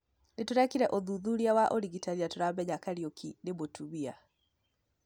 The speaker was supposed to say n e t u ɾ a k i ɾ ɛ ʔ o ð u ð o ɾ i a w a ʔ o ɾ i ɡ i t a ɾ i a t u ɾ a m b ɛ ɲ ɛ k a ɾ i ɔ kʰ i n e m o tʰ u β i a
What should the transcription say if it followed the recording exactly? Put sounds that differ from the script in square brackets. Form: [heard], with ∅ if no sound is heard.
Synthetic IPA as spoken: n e t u ɾ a k i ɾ ɛ ʔ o ð u ð [u] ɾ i a w a ʔ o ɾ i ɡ i t a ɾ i a t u ɾ a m b ɛ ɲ [a] k a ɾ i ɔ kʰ i n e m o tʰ u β i a